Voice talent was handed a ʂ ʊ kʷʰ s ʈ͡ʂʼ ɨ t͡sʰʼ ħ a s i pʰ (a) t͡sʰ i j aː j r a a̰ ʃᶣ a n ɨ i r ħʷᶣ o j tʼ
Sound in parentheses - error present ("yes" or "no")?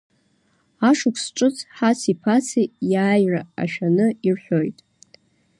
no